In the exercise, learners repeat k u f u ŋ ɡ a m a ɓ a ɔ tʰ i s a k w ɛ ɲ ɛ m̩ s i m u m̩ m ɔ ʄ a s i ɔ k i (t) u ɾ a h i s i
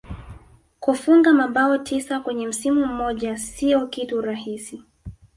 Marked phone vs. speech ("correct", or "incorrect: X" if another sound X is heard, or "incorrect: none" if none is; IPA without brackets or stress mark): correct